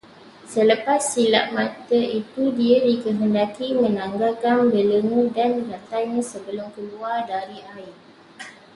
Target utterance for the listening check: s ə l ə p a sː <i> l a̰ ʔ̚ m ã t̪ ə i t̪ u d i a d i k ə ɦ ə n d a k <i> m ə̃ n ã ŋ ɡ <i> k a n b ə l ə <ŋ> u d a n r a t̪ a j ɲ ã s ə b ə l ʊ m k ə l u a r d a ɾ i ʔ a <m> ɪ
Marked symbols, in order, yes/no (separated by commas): yes, yes, no, yes, no